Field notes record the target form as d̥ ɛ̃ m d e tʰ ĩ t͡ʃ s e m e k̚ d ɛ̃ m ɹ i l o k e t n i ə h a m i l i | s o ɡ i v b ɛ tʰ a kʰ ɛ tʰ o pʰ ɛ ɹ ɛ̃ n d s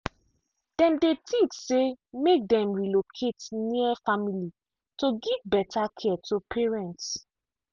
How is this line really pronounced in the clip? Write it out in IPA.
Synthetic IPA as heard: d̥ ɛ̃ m d e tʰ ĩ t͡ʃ s e m e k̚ d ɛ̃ m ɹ i l o kʰ e t n i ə f a m i l i | t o ɡ i v b ɛ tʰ a kʰ ɛ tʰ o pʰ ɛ ɹ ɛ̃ n t s